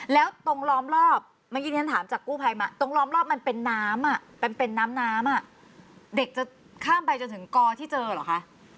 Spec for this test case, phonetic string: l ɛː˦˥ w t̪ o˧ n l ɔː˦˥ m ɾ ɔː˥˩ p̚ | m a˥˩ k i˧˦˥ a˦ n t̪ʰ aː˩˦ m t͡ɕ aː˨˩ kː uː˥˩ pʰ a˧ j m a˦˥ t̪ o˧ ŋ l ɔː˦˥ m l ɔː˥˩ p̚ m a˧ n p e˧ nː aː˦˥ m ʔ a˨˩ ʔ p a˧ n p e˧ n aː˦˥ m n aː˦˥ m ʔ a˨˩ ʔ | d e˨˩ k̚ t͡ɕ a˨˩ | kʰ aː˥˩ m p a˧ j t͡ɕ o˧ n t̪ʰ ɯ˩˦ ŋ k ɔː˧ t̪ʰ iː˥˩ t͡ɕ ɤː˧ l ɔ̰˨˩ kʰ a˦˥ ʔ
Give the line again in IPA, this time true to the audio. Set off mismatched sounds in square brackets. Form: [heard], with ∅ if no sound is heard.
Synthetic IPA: l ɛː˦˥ w t̪ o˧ [ŋ] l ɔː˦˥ m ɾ ɔː˥˩ p̚ | m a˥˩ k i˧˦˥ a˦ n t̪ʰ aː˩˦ m t͡ɕ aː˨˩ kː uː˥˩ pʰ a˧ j m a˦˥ t̪ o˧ ŋ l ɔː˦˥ m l ɔː˥˩ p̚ m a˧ n p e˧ nː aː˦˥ m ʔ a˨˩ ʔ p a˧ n p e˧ [nː] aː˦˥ m n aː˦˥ m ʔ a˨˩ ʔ | d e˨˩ k̚ t͡ɕ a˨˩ | kʰ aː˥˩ m p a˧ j t͡ɕ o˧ n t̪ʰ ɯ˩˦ ŋ k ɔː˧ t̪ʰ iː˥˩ t͡ɕ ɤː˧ l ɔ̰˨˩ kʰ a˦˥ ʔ